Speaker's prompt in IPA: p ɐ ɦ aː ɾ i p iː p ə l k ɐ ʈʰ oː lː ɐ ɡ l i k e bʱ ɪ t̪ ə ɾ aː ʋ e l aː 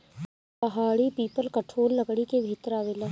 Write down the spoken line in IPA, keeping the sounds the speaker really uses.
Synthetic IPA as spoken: p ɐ ɦ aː ɽ i p iː p ə l k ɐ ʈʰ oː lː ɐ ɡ ɽ i k e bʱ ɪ t̪ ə ɾ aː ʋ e l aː